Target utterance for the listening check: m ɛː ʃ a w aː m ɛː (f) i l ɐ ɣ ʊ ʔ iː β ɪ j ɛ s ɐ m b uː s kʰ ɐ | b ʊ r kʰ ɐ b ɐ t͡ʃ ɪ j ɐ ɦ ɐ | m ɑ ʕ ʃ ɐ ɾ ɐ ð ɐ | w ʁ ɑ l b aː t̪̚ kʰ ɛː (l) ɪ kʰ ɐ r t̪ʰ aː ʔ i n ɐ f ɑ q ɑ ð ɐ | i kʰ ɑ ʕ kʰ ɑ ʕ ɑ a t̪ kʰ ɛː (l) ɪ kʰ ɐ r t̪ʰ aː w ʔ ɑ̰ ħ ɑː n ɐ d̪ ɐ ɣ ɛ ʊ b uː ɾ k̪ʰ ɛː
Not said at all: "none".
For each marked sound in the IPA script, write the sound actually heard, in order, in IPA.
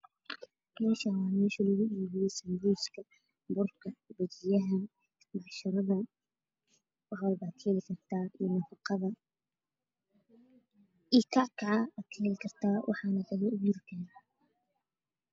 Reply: ʃ, l, l

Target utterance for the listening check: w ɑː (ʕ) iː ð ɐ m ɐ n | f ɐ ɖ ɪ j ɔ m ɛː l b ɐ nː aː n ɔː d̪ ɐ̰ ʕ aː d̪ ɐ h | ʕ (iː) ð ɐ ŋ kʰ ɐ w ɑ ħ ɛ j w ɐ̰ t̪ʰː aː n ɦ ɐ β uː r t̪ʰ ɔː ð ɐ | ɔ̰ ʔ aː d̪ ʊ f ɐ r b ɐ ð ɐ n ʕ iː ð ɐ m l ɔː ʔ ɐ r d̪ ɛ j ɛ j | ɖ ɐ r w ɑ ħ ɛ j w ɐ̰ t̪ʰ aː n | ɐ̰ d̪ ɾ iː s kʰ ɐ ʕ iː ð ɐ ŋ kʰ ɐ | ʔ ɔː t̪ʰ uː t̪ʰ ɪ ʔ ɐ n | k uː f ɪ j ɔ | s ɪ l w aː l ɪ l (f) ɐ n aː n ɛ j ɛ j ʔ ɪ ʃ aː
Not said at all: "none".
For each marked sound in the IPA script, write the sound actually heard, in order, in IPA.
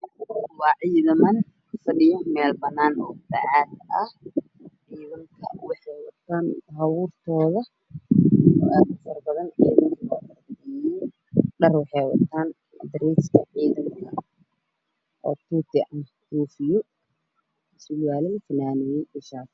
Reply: ʕ, iː, f

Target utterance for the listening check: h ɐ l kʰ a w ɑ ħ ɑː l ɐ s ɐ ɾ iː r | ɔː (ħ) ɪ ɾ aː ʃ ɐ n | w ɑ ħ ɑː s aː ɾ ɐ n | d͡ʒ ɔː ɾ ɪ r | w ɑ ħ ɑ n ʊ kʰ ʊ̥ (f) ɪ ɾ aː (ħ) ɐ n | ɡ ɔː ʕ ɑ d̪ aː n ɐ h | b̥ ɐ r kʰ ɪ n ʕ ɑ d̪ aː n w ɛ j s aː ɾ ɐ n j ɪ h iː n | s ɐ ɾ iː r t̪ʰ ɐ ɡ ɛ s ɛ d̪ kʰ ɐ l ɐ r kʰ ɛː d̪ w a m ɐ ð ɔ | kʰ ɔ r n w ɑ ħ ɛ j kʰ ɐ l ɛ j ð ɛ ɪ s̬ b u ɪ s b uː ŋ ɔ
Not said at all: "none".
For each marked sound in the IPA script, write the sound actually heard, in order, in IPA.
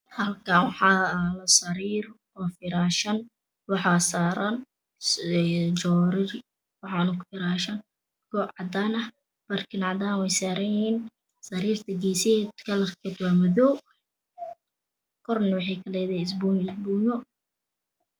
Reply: f, f, ʃ

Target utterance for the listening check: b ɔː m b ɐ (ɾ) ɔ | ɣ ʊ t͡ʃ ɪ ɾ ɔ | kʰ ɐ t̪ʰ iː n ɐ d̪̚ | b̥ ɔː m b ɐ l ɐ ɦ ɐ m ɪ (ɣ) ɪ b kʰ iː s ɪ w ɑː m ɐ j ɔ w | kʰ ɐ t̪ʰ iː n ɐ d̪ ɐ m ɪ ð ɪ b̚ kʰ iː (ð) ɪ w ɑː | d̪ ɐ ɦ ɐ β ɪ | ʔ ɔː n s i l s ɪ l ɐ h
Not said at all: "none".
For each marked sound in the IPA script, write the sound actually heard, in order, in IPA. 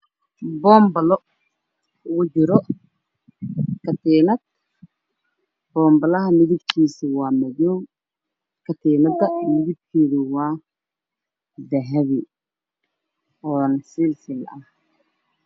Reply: l, ð, ð

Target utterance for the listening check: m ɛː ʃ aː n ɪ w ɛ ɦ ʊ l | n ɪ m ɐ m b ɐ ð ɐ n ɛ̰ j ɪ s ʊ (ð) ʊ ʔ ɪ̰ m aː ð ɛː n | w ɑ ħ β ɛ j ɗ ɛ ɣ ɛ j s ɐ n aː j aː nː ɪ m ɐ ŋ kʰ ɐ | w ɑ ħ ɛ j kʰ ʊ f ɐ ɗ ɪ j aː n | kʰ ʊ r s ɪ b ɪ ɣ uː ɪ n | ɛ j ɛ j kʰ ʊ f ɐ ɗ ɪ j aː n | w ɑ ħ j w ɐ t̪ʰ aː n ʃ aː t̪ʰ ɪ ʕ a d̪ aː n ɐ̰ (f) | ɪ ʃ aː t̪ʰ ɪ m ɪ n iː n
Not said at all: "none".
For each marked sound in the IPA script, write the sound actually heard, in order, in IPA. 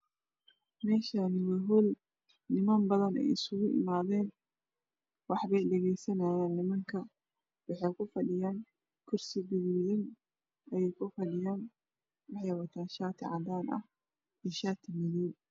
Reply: ɣ, h

